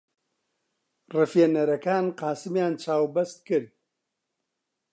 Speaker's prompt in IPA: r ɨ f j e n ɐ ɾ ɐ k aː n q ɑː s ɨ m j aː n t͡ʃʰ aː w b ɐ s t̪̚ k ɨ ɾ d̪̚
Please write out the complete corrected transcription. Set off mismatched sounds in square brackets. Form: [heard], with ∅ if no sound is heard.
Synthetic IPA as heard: r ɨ f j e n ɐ ɾ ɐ k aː n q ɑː s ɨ m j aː n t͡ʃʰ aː w b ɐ s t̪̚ k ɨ ɾ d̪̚